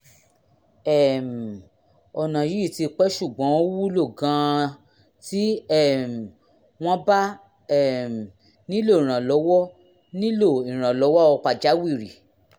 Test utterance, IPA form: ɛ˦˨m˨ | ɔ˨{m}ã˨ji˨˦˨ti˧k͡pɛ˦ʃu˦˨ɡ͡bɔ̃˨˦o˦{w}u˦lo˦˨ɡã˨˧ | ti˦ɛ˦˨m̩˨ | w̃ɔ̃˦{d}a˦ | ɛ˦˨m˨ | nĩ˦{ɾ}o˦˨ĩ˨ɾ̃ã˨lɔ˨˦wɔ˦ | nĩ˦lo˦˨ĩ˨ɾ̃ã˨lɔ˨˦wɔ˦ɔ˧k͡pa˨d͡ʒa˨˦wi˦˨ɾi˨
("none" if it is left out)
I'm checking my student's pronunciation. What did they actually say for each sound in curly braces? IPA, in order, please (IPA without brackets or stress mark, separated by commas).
n, w, b, l